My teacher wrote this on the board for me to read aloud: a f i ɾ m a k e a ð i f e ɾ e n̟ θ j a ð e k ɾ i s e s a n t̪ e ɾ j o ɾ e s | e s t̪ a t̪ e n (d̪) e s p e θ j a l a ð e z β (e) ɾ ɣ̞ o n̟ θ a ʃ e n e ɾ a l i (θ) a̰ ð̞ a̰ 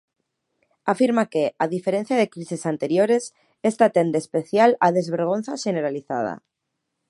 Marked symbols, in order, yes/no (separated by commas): yes, yes, yes